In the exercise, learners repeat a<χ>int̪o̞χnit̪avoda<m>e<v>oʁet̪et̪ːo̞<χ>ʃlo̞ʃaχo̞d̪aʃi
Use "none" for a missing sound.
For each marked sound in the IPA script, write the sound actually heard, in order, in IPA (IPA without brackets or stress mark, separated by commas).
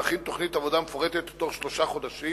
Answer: χ, m, f, χ